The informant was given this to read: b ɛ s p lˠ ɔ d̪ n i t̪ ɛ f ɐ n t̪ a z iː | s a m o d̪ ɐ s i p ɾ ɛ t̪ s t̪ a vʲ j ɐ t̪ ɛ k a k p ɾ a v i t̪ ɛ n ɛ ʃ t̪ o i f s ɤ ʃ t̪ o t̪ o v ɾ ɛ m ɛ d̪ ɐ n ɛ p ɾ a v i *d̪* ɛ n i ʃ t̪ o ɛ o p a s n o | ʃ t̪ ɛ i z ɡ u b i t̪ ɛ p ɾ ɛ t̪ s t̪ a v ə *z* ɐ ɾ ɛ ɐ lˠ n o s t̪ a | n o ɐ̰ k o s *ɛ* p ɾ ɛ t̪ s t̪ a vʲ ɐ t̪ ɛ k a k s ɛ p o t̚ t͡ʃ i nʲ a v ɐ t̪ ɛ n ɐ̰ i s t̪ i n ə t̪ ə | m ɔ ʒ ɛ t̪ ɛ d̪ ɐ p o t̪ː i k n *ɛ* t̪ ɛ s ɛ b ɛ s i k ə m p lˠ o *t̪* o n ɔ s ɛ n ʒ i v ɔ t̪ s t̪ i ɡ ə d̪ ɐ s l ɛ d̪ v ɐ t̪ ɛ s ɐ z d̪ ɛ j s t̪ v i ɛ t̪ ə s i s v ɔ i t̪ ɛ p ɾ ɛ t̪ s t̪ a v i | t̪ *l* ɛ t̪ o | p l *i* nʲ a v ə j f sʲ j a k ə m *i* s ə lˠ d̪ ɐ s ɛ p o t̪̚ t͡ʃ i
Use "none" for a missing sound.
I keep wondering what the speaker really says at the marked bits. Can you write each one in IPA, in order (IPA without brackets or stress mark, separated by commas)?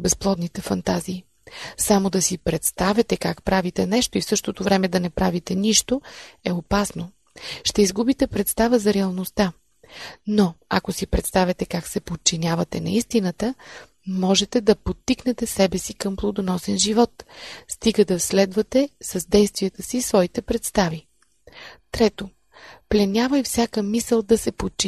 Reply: t̪, z, i, ɛ, d̪, ɾ, ɛ, i